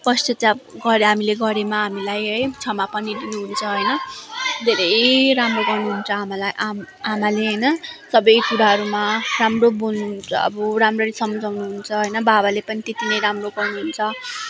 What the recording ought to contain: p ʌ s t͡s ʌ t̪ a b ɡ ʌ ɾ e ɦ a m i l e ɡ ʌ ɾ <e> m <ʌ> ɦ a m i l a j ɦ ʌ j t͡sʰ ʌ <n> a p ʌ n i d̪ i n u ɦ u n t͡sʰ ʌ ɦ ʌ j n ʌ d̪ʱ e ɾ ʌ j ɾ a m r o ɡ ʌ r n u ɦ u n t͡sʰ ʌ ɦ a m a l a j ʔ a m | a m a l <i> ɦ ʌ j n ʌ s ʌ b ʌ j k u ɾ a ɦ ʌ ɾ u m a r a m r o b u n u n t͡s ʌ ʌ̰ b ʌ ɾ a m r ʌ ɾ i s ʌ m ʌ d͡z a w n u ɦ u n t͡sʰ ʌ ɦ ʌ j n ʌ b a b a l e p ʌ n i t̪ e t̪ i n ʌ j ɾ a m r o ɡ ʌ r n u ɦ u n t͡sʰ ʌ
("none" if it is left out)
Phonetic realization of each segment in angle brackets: e, a, m, e

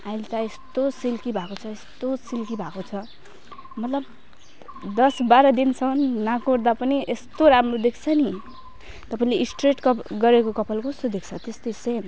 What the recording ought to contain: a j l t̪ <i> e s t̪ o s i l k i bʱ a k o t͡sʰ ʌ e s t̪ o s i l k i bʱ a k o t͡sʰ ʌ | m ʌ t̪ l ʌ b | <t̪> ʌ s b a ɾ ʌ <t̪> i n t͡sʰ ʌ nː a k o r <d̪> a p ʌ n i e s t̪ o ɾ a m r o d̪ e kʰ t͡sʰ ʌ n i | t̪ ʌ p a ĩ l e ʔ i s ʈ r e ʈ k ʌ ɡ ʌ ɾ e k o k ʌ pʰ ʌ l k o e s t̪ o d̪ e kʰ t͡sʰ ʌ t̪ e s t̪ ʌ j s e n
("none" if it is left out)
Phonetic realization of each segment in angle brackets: a, d̪, d̪, d̪

